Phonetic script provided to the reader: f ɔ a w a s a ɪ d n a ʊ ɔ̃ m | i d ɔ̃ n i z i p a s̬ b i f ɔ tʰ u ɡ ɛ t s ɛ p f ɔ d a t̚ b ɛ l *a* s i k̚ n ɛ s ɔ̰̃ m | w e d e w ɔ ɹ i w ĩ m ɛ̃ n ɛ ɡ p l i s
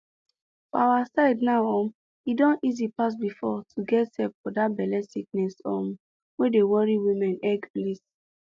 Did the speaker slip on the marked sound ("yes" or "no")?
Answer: yes